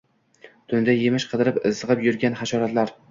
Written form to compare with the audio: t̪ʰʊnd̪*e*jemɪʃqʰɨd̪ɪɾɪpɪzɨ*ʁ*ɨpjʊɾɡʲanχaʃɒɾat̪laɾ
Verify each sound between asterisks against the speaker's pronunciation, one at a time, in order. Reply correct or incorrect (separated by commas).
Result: incorrect, correct